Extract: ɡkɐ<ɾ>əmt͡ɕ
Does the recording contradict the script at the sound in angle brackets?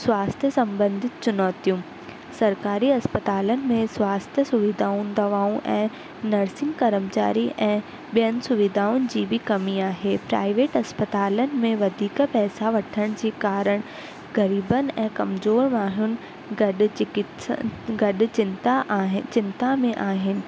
no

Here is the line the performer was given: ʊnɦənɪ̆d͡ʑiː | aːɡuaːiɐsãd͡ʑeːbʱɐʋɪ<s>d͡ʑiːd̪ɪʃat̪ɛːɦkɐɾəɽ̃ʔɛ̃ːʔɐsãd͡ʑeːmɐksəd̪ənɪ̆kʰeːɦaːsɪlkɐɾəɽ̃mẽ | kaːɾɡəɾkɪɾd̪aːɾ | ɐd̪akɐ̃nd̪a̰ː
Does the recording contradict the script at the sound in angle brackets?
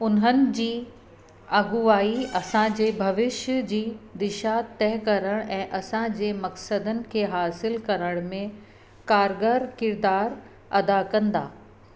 yes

